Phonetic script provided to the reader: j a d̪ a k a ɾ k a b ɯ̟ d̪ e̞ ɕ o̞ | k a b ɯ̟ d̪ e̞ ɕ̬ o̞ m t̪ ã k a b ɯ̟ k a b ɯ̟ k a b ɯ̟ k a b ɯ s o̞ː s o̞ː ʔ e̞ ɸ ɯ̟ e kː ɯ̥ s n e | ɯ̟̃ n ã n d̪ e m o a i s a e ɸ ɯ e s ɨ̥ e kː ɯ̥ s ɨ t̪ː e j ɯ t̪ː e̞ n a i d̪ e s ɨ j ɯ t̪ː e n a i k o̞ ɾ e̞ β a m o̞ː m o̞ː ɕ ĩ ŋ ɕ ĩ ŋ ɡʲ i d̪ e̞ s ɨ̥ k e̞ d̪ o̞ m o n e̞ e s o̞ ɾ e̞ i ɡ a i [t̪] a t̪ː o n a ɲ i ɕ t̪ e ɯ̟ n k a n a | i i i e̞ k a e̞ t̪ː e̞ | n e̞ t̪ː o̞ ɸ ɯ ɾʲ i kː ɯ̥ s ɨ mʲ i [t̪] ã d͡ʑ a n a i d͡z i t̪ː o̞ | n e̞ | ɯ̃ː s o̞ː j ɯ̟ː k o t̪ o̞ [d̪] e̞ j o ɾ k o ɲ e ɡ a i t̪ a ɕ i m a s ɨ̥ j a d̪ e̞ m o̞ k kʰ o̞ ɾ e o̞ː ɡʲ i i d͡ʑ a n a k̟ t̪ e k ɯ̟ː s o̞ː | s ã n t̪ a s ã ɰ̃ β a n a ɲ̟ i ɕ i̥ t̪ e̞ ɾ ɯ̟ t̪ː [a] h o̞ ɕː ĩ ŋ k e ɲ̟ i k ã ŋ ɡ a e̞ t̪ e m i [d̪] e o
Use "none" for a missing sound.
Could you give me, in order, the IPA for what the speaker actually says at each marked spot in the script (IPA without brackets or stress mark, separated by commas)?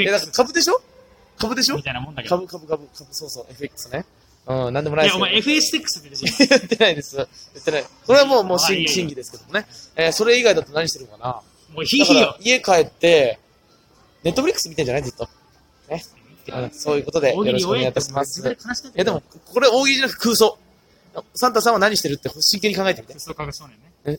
d̪, t̪, d̪, e, t̪